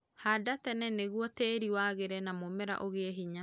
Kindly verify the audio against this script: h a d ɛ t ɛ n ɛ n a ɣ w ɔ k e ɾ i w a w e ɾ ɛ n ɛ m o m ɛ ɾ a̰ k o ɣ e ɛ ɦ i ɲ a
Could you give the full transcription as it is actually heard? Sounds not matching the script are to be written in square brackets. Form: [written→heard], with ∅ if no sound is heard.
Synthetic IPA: h a d [ɛ→a] t ɛ n ɛ n [a→e] ɣ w ɔ [k→t] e ɾ i w a [w→ɣ] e ɾ ɛ n [ɛ→a] m o m ɛ ɾ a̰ [k→ʔ] o ɣ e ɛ ɦ i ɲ a